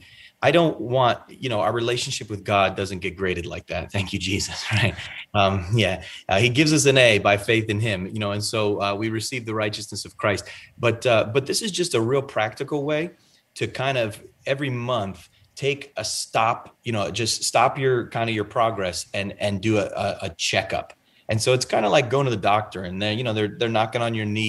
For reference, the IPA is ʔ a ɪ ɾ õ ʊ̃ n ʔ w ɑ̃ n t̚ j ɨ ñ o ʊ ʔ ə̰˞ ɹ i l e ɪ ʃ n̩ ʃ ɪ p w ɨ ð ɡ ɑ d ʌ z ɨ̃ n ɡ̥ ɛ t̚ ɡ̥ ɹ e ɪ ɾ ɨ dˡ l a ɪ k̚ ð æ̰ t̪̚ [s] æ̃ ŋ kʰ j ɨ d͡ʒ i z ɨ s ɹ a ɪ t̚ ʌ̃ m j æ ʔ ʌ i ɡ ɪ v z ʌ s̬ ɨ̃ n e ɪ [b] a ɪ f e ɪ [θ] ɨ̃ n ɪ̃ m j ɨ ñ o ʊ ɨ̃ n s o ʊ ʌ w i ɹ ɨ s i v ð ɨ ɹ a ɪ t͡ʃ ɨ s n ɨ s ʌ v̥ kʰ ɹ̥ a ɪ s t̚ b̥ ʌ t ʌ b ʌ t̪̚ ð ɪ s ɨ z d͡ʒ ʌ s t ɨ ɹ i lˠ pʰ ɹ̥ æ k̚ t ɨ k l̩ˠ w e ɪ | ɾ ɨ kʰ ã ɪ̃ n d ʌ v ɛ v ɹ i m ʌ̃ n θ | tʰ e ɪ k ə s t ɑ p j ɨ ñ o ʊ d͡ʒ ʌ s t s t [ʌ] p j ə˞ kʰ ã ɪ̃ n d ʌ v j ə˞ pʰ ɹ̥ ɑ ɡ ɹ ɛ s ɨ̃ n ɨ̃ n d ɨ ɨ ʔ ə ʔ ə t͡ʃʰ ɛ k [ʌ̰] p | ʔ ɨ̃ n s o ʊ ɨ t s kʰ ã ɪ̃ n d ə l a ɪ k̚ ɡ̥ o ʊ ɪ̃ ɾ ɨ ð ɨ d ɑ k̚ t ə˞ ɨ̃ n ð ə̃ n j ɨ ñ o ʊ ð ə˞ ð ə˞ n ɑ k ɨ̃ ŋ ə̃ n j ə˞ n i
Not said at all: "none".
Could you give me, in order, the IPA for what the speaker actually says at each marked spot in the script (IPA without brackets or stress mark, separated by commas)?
θ, b, θ, ɑ, ʌ̰